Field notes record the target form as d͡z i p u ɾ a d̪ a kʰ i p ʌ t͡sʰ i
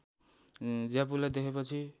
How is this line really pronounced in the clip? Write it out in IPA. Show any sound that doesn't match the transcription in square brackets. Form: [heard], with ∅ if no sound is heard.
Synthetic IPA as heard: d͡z [a] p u [l] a d̪ [e] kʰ [e] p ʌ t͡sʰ i